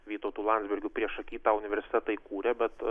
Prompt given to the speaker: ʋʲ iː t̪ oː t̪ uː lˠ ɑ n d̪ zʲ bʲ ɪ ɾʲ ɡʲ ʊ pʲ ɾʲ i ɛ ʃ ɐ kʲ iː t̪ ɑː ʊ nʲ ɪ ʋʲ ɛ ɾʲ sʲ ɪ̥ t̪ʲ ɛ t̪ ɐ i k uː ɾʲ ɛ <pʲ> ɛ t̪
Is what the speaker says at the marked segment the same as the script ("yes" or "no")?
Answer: no